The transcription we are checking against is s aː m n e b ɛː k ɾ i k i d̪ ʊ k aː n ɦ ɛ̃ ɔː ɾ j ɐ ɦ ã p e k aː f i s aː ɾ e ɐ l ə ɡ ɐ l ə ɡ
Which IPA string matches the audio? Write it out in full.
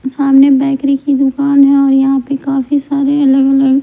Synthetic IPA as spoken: s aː m n e b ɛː k ɾ i k i d̪ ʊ k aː n ɦ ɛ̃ ɔː ɾ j ɐ ɦ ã p e k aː f i s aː ɾ e ɐ l ə ɡ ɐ l ə ɡ